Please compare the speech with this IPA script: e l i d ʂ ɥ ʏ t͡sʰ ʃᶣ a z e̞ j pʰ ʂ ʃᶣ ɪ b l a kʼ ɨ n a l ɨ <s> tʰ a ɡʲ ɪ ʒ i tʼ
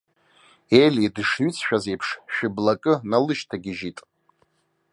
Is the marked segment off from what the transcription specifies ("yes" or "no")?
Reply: yes